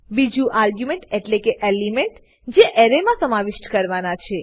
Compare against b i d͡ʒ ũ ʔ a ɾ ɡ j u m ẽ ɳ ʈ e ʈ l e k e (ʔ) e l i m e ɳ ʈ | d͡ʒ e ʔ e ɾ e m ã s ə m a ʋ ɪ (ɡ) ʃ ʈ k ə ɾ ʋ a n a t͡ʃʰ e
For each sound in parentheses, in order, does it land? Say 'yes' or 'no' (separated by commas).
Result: yes, no